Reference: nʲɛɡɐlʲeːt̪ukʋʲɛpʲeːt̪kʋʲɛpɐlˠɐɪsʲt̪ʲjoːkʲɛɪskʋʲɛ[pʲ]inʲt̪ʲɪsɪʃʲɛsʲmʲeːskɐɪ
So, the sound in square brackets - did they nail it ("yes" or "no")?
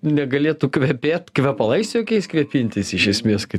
yes